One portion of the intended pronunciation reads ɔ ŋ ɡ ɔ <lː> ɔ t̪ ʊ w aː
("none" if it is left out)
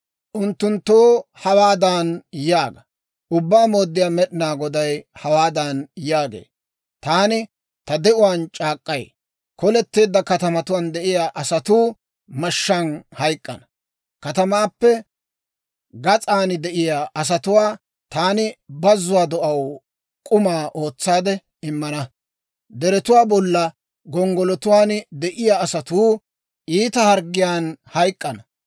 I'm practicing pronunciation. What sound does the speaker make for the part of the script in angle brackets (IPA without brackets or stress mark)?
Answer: l